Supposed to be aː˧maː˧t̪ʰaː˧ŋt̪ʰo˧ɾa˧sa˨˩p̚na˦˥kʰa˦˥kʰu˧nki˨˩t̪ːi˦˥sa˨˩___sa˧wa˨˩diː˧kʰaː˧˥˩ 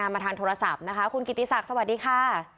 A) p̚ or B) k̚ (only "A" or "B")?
B